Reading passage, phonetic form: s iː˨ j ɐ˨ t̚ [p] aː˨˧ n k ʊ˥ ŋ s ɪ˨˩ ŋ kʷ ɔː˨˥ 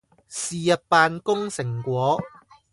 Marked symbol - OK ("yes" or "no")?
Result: yes